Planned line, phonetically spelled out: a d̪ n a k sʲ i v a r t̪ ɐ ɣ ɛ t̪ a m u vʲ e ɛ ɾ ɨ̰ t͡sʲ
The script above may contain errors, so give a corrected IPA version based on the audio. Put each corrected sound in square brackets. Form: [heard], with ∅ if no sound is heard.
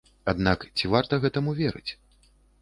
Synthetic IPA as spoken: a d̪ n a k [t͡sʲ] i v a r t̪ ɐ ɣ ɛ t̪ [ɐ] m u vʲ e ɛ ɾ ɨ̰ t͡sʲ